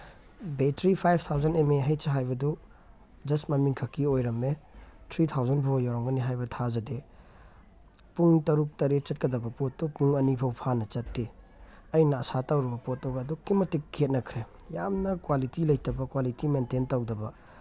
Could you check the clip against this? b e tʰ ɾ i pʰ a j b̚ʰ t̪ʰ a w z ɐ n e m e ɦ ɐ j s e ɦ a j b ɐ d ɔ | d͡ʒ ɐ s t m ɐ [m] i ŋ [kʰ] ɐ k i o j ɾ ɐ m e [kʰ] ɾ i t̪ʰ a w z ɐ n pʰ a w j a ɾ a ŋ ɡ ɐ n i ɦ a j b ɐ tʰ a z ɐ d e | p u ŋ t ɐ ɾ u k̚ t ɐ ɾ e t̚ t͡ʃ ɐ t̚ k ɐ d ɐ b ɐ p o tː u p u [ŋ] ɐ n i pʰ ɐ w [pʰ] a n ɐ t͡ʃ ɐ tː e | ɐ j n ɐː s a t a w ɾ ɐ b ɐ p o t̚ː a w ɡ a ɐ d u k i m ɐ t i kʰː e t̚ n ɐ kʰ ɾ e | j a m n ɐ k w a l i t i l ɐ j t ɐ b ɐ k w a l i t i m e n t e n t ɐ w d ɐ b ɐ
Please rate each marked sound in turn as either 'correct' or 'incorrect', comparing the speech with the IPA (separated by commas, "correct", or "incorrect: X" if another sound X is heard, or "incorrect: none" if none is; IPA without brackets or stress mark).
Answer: correct, correct, incorrect: tʰ, correct, correct